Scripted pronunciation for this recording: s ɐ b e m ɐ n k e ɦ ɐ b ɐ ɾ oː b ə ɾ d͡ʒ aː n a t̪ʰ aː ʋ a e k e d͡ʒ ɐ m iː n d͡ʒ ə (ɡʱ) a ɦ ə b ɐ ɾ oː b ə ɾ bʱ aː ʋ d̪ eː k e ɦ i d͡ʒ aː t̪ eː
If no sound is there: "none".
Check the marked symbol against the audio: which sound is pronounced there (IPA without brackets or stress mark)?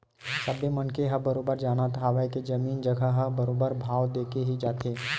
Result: ɡʱ